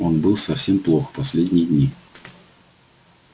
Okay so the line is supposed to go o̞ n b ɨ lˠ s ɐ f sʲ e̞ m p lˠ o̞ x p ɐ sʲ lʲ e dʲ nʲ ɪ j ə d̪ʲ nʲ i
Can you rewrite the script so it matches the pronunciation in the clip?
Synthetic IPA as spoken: o̞ n b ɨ lˠ s ɐ f sʲ e̞ m p lˠ o̞ x p ɐ sʲ lʲ e dʲ nʲ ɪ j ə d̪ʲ nʲ i